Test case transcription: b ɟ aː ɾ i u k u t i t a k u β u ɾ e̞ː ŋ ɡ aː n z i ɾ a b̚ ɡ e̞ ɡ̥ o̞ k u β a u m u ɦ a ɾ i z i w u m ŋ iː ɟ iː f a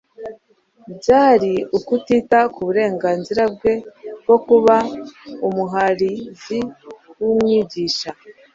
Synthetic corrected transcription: b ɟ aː ɾ i u k u t i t a k u β u ɾ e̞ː ŋ ɡ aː n z i ɾ a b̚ ɡ e̞ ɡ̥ o̞ k u β a u m u ɦ a ɾ i z i w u m ŋ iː ɟ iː ʃ a

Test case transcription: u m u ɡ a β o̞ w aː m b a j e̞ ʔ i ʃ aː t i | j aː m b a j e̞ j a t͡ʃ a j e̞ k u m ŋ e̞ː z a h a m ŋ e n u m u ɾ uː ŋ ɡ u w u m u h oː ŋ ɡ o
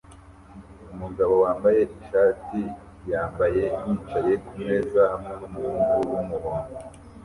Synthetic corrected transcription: u m u ɡ a β o̞ w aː m b a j e̞ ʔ i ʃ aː t i | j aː m b a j e̞ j i t͡ʃ a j e̞ k u m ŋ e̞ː z a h a m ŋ e n u m u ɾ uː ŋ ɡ u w u m u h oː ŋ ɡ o

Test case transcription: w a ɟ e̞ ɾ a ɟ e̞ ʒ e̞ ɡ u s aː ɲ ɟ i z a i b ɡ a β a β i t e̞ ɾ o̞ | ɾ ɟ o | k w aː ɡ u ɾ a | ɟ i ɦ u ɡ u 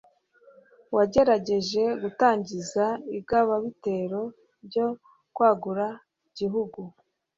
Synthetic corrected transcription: w a ɟ e̞ ɾ a ɟ e̞ ʒ e̞ ɡ u t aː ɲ ɟ i z a i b ɡ a β a β i t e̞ ɾ o̞ | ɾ ɟ o | k w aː ɡ u ɾ a | ɟ i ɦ u ɡ u

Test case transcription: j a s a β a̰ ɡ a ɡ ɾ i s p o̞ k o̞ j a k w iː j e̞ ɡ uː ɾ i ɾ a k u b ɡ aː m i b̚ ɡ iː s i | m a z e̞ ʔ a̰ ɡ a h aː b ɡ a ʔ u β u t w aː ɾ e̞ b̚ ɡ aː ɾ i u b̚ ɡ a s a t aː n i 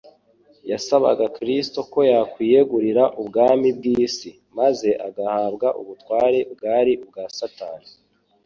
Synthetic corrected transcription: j a s a β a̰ ɡ a k ɾ i s t o̞ k o̞ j a k w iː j e̞ ɡ u ɾ i ɾ a ʔ u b ɡ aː m i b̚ ɡ iː s i | m a z e̞ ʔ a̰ ɡ a h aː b ɡ a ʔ u β u t w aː ɾ e̞ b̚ ɡ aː ɾ i u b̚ ɡ a s a t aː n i

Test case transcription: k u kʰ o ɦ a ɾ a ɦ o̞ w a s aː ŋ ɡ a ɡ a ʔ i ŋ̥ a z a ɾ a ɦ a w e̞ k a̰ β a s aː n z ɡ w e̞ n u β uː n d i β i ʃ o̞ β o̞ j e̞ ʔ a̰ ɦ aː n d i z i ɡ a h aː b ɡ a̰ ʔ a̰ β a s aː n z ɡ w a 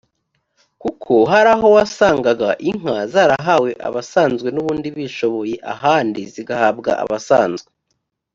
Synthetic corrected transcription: k u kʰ o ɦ a ɾ a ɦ o̞ w a s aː ŋ ɡ a ɡ a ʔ i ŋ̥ a z a ɾ a ɦ a w e̞ ʔ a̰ β a s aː n z ɡ w e̞ n u β uː n d i β i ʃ o̞ β o̞ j e̞ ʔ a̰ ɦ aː n d i z i ɡ a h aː b ɡ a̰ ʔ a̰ β a s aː n z ɡ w e

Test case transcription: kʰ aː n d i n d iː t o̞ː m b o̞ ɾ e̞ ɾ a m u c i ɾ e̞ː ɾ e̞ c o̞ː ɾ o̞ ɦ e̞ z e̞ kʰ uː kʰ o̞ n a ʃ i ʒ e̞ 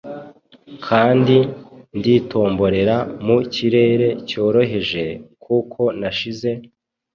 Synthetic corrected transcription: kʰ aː n d i n d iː t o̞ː m b o̞ ɾ e̞ ɾ a m u c i ɾ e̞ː ɾ e̞ c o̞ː ɾ o̞ ɦ e̞ ʒ e̞ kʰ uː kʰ o̞ n a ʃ i z e̞

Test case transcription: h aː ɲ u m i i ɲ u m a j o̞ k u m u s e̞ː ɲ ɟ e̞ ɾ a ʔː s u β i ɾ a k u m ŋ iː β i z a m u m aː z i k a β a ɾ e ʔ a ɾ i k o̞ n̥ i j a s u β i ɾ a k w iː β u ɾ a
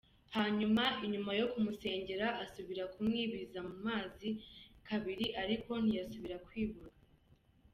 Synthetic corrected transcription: h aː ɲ u m a i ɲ u m a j o̞ k u m u s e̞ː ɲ ɟ e̞ ɾ a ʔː s u β i ɾ a k u m ŋ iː β i z a m u m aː z i k a β i ɾ i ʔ a ɾ i k o̞ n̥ i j a s u β i ɾ a k w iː β u ɾ a

